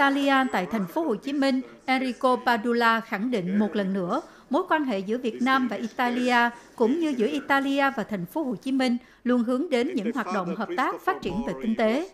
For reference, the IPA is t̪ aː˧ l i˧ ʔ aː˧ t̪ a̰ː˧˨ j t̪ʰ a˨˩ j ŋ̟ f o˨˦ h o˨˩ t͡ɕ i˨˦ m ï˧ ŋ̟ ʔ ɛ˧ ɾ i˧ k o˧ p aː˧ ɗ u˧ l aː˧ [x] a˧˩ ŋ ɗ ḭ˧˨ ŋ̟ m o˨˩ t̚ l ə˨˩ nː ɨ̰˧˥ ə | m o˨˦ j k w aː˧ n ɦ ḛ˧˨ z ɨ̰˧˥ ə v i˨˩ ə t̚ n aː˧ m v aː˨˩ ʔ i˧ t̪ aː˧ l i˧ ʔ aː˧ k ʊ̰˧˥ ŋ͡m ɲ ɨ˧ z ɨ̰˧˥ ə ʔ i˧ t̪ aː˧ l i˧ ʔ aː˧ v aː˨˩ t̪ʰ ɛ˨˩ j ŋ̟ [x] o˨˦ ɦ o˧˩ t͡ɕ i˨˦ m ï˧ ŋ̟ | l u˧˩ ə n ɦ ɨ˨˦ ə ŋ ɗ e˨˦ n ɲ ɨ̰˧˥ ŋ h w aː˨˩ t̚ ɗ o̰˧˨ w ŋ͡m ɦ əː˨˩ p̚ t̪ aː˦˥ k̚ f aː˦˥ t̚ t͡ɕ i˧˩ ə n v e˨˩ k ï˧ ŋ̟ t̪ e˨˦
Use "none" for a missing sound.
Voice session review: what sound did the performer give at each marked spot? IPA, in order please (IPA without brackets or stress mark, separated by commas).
x, f